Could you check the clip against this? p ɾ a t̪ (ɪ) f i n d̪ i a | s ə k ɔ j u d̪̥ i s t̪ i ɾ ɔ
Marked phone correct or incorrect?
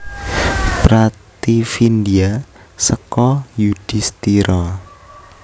incorrect